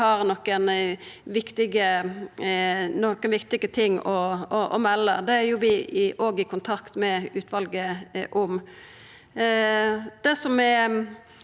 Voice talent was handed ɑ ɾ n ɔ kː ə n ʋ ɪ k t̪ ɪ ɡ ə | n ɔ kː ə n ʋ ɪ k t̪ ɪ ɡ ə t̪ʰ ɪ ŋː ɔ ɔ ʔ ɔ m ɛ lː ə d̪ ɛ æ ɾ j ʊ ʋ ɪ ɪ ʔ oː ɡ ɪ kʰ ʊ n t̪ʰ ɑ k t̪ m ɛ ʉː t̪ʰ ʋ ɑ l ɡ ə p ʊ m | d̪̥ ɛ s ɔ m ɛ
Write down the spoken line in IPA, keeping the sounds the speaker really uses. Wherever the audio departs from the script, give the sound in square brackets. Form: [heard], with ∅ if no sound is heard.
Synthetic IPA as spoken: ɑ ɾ n ɔ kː ə n ʋ ɪ k t̪ ɪ ɡ ə | n ɔ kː ə n ʋ ɪ k t̪ ɪ ɡ ə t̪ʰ ɪ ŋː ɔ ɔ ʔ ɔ m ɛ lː ə d̪ ɛ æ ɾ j ʊ ʋ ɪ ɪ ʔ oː ɡ ɪ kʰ ʊ n t̪ʰ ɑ k t̪ m ɛ ʉː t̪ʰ ʋ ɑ l ɡ ə [ʔ] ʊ m | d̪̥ ɛ s ɔ m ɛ